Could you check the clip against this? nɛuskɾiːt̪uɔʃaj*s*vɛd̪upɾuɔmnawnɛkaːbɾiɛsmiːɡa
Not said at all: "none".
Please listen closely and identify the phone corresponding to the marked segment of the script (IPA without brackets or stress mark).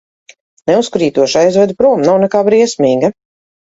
z